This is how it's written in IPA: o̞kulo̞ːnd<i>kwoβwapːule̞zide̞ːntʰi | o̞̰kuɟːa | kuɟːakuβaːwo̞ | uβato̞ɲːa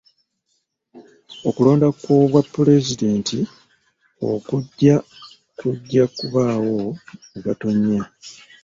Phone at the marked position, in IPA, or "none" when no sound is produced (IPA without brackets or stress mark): a